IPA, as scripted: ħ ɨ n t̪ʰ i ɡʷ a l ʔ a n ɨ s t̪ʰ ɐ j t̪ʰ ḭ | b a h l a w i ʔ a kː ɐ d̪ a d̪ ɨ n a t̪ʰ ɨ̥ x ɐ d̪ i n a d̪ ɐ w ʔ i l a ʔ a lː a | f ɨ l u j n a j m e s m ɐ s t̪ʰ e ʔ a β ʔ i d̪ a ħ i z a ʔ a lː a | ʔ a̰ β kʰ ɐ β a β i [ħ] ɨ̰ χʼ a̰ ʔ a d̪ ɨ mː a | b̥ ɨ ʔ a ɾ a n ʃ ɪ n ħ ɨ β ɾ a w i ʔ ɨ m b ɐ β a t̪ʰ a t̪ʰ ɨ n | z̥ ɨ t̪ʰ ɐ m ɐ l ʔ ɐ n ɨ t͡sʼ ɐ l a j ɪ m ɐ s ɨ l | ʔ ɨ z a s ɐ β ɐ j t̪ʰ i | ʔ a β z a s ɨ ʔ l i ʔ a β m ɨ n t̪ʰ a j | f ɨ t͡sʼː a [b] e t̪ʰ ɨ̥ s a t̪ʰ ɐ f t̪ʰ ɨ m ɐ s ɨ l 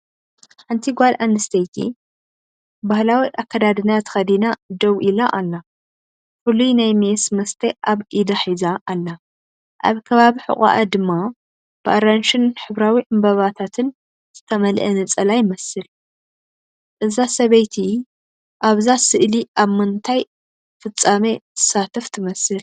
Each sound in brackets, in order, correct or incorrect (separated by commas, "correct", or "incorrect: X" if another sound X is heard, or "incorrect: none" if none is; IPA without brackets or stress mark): correct, incorrect: m